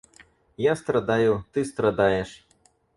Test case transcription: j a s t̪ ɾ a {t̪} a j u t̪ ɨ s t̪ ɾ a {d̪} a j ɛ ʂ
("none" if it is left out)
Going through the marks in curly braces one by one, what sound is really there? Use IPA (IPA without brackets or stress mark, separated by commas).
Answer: d̪, d̪